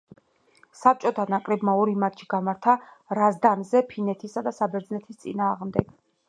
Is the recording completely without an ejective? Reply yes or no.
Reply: no